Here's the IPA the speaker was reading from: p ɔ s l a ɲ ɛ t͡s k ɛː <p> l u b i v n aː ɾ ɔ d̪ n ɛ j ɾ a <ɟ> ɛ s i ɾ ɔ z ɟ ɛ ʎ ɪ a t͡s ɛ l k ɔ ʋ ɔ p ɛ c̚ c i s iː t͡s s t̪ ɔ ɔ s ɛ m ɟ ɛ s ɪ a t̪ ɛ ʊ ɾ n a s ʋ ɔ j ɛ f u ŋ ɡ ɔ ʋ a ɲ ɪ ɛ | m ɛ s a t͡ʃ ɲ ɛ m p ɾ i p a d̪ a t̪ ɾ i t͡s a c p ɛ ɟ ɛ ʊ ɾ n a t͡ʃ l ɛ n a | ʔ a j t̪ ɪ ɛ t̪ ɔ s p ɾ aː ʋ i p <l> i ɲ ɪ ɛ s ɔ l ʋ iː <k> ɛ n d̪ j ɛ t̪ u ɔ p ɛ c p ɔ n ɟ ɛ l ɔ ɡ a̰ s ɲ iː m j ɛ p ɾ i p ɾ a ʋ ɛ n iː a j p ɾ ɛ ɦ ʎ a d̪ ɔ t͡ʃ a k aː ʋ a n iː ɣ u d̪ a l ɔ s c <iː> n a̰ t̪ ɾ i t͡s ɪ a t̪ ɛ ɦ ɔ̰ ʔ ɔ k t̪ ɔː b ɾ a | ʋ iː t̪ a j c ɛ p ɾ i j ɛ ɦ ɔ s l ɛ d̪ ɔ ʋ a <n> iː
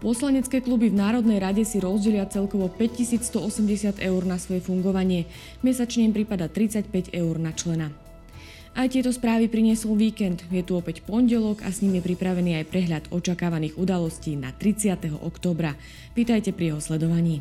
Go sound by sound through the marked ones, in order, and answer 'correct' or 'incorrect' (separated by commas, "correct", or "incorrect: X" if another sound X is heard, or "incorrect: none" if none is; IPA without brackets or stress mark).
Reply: incorrect: k, correct, incorrect: ɾ, correct, correct, incorrect: ɲ